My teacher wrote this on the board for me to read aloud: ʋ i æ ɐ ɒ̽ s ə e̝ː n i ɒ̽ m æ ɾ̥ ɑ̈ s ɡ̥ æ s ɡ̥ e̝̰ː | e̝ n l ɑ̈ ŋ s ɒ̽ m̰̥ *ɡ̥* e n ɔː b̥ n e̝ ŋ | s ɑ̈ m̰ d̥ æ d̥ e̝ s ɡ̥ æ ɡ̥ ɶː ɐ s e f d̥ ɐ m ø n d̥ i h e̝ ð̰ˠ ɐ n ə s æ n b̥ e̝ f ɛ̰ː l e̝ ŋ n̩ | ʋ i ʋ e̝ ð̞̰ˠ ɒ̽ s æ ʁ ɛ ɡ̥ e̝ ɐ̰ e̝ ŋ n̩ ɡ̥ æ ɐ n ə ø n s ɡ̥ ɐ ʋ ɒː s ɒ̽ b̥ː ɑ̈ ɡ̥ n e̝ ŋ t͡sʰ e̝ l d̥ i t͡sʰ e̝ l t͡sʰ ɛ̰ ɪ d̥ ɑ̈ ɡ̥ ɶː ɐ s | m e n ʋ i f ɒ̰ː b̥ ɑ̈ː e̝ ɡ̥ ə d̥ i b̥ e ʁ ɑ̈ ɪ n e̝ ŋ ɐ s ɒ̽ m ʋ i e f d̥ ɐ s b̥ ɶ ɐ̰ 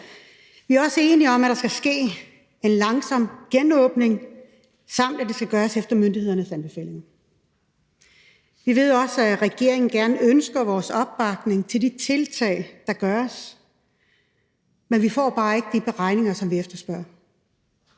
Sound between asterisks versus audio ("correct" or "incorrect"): correct